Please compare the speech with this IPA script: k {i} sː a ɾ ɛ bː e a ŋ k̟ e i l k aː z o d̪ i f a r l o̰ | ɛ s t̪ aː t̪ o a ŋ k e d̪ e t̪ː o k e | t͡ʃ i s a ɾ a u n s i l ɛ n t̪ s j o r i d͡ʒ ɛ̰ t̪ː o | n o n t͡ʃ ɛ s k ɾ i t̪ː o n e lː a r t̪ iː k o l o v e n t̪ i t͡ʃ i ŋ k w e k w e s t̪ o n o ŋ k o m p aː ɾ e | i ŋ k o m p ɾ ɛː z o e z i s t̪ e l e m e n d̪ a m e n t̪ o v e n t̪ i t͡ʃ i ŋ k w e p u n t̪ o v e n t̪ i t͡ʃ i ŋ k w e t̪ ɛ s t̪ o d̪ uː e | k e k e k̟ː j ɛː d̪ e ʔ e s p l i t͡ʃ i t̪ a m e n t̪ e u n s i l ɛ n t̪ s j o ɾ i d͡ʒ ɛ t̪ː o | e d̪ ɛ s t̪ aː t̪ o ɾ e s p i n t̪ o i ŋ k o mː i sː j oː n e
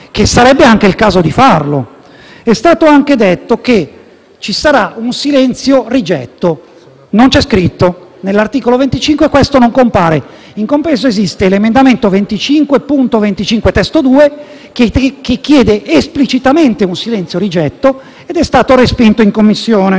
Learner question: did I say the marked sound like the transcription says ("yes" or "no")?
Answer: no